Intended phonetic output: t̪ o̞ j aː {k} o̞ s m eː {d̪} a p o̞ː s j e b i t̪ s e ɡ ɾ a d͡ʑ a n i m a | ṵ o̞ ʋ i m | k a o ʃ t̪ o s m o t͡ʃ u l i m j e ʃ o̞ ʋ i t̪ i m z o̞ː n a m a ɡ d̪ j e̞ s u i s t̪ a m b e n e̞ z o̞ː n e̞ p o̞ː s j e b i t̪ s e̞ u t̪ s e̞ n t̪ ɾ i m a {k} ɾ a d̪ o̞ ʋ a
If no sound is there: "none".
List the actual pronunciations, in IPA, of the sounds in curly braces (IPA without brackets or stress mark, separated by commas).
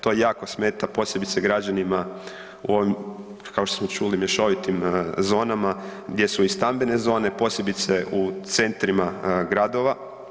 k, t̪, ɡ